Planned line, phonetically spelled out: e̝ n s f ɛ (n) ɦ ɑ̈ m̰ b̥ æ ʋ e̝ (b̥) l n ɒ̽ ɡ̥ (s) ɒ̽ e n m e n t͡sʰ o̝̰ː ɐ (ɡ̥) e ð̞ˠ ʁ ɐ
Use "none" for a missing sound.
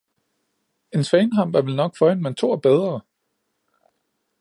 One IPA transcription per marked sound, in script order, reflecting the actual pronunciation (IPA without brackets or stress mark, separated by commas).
n, none, f, b̥